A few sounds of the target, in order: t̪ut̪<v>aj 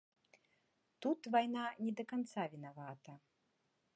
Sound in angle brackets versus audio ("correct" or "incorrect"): correct